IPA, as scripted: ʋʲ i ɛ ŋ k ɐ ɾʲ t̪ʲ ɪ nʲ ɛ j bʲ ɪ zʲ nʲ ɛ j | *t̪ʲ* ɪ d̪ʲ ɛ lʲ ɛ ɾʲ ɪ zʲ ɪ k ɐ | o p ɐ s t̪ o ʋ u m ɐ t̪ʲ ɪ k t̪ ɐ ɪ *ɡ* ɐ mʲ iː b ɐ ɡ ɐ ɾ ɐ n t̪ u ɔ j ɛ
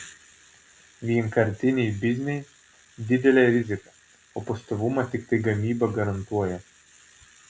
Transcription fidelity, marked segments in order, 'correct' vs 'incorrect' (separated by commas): incorrect, correct